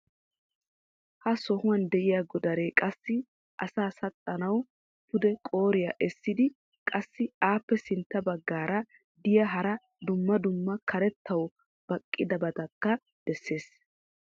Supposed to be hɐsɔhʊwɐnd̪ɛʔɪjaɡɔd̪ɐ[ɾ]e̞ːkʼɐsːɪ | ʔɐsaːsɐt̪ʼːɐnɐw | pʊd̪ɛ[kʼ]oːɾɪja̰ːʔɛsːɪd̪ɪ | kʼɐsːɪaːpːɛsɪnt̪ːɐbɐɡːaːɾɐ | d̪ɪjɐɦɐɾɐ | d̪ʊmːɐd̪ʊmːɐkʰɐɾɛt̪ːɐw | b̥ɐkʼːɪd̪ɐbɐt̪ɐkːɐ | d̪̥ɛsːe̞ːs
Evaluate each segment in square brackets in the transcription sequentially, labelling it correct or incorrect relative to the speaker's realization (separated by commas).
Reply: correct, correct